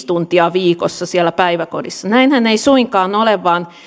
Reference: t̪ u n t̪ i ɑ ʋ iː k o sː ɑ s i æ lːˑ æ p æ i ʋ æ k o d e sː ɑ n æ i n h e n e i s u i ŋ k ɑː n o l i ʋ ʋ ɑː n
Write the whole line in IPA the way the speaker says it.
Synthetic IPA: t̪ u n t̪ i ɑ ʋ iː k o sː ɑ s i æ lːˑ æ p æ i ʋ æ k o d i sː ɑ n æ i n h æ n e i s u i ŋ k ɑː n o l e ʋ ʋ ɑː n